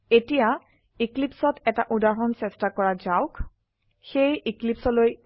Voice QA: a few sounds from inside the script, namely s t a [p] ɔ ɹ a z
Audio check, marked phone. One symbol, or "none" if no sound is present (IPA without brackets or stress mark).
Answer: k